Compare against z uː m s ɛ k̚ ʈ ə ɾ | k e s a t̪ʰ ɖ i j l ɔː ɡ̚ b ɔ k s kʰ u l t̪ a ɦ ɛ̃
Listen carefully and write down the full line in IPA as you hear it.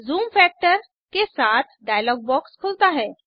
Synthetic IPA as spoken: z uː m f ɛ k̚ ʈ ə ɾ | k e s a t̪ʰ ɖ a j l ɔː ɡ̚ b ɔ k s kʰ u l t̪ a ɦ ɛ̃